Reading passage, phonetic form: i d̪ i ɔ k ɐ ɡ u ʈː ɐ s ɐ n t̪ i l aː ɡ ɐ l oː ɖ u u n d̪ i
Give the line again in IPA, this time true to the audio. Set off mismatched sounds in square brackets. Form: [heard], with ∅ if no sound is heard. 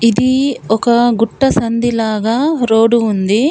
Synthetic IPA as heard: i d̪ i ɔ k ɐ ɡ u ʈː ɐ s ɐ n [d̪] i l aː ɡ ɐ [ɾ] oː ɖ u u n d̪ i